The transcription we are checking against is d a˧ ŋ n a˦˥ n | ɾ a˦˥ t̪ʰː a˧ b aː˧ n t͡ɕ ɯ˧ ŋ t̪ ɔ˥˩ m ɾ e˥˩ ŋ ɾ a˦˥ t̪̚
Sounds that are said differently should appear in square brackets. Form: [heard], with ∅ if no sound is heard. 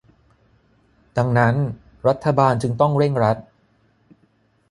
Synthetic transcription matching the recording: d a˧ ŋ n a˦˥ n | ɾ a˦˥ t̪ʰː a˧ b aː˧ n t͡ɕ ɯ˧ ŋ t̪ ɔ˥˩ [ŋ] ɾ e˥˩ ŋ ɾ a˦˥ t̪̚

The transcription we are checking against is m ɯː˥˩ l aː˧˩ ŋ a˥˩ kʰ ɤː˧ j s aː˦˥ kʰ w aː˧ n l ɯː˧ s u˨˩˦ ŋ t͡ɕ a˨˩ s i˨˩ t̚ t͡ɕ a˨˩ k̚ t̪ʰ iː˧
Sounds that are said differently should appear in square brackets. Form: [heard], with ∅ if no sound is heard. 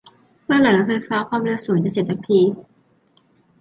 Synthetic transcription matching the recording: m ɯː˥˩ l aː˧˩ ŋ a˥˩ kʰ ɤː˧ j [f] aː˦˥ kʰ w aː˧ [m] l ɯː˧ s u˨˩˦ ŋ t͡ɕ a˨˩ s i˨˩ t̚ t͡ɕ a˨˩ k̚ t̪ʰ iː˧

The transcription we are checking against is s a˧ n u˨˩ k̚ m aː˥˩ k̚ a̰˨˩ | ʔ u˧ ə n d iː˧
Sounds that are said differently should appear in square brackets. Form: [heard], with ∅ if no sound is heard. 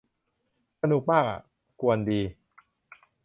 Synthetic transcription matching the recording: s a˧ n u˨˩ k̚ m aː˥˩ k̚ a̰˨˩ | [k] u˧ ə n d iː˧

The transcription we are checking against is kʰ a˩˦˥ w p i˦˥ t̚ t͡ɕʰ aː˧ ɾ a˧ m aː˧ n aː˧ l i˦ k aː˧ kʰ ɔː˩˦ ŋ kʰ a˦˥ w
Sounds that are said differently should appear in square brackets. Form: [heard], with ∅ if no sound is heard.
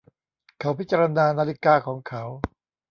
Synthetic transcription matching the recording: kʰ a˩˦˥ w p i˦˥ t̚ [t͡ɕ] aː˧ ɾ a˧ [n] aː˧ n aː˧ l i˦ k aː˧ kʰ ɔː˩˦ ŋ kʰ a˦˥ w

